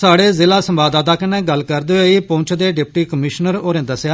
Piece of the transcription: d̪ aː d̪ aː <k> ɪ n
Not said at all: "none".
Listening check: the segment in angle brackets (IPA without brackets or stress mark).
k